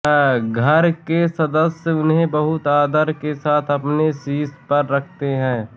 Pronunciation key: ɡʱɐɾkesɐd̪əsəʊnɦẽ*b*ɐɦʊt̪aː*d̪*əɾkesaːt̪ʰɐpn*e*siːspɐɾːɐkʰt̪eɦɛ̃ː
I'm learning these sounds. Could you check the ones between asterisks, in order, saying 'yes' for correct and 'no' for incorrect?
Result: yes, yes, yes

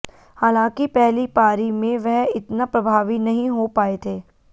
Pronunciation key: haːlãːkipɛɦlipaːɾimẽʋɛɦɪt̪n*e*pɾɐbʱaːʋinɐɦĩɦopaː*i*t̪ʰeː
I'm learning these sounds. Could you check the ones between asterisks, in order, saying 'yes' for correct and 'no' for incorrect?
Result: no, no

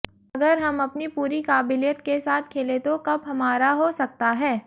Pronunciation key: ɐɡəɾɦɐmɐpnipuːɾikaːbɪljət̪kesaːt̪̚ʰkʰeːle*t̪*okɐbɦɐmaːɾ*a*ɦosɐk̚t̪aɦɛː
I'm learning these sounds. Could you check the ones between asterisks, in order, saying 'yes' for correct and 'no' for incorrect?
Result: yes, yes

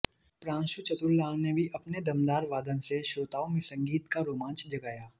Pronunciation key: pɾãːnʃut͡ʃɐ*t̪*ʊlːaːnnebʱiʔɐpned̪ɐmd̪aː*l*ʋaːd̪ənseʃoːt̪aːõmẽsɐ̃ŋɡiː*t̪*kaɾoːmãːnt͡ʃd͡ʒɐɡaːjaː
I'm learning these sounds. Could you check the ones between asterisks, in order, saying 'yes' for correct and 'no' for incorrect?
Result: yes, no, yes

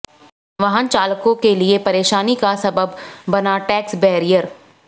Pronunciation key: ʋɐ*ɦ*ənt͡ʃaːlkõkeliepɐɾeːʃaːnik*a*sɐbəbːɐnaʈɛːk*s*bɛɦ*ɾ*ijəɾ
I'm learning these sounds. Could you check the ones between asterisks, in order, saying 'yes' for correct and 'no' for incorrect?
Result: yes, yes, yes, yes

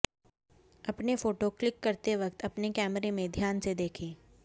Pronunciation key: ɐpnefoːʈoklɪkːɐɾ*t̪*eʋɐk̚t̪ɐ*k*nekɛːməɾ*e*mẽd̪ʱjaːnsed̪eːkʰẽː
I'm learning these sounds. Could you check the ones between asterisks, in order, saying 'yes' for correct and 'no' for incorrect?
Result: yes, no, yes

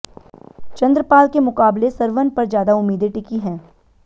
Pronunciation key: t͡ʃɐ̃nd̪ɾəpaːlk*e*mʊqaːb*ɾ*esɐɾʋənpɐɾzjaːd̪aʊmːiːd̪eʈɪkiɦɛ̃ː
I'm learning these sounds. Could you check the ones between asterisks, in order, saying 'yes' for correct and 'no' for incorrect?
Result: yes, no

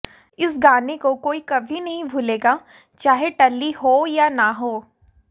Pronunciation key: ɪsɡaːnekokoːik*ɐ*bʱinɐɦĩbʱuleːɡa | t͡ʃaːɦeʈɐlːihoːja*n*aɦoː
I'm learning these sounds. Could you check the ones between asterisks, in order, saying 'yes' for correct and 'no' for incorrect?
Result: yes, yes

